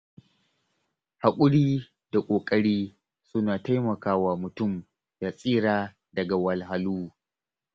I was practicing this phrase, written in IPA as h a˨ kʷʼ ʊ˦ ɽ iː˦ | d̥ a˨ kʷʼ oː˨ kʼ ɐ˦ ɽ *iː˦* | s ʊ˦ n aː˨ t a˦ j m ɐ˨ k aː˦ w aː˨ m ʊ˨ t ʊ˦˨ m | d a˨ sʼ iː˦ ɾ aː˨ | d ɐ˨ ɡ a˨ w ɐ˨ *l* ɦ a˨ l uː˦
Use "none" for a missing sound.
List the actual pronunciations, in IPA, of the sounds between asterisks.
iː˦, l

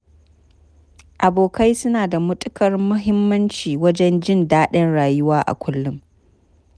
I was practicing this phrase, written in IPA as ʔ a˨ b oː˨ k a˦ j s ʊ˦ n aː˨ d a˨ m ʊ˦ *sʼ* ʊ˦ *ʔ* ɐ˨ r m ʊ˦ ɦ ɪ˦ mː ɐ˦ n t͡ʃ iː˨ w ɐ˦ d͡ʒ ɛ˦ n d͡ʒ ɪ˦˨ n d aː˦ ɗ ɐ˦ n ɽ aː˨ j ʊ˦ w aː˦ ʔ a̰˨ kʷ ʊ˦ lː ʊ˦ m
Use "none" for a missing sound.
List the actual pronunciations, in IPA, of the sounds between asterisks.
tʼ, k

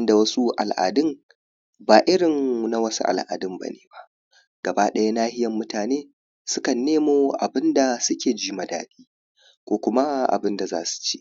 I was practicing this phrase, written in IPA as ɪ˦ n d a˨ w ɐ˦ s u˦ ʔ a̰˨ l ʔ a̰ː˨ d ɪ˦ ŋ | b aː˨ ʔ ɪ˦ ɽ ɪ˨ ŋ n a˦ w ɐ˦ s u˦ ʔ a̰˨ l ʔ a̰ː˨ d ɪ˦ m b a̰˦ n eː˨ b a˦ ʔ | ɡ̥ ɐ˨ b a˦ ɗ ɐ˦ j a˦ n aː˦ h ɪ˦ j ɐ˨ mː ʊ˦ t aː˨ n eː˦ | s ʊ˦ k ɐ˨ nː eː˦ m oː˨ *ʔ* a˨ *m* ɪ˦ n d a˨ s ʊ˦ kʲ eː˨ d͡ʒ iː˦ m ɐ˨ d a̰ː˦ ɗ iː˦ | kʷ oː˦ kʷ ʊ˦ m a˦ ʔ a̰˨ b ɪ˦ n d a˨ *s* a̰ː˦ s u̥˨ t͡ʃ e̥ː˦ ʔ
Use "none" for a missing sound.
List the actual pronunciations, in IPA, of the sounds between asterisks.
ʔ, b, z

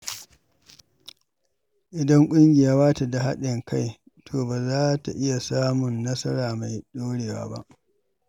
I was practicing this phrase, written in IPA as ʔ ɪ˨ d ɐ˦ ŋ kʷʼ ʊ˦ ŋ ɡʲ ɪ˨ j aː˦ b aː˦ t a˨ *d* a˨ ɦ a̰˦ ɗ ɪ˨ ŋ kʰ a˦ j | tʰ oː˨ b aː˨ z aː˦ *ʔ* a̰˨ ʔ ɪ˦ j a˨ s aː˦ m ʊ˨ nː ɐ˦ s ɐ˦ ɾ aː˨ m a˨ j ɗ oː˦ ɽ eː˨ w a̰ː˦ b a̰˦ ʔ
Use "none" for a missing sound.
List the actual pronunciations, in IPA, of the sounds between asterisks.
d, t

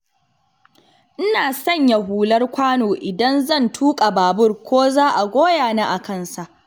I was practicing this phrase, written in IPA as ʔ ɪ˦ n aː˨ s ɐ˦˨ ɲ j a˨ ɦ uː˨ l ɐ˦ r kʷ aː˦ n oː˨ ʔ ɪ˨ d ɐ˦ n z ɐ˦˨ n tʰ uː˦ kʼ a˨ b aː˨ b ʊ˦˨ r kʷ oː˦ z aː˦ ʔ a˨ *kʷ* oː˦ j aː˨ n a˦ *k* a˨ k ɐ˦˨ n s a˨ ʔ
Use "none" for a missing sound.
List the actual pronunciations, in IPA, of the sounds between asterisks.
ɡʷ, ʔ

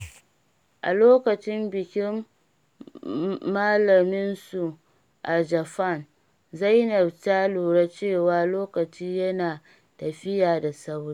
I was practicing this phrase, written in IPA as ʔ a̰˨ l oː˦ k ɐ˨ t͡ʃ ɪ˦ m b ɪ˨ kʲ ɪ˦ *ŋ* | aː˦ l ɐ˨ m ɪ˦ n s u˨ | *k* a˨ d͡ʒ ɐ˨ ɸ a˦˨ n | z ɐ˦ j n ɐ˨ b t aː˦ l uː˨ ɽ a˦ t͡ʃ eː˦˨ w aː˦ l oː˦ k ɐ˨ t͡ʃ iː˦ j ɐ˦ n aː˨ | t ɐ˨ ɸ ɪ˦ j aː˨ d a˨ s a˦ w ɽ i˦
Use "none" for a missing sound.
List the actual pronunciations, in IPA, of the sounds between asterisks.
m, ʔ

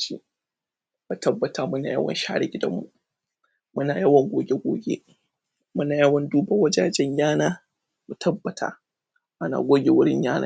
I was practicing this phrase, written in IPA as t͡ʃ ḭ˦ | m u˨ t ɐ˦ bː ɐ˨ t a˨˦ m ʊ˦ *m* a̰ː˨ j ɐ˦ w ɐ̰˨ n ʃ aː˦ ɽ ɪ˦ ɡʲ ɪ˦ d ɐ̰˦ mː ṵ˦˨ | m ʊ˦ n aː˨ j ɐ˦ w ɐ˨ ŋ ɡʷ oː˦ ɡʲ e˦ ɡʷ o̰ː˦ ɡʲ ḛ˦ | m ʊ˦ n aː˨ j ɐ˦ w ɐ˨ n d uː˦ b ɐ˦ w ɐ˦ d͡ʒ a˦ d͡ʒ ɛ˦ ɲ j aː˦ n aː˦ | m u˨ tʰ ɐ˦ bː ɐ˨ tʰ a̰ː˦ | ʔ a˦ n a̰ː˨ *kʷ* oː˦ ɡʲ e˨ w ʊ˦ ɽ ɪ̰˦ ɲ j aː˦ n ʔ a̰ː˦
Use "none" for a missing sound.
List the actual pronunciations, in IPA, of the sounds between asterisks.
n, ɡʷ

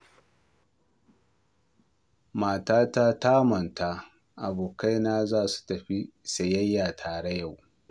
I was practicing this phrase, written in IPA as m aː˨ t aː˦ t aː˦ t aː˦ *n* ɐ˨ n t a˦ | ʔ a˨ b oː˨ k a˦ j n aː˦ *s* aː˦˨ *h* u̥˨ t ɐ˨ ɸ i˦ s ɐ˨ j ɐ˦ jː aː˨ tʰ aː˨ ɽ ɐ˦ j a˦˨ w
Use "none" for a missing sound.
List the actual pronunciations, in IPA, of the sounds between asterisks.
m, z, s

